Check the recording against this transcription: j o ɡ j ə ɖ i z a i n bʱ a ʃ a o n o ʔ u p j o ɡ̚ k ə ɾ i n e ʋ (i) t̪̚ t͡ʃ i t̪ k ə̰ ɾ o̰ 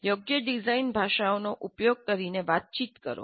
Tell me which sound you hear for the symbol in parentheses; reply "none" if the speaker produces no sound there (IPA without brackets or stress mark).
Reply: a